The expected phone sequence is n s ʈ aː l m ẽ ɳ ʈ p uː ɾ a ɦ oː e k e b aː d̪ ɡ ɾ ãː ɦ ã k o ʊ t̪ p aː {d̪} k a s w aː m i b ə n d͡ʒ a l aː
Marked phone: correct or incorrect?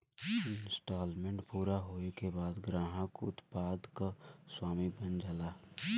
correct